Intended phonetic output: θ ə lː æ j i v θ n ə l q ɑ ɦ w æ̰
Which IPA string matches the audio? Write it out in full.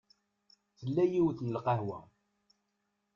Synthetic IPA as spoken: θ ə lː æ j i w θ n ə l q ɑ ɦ w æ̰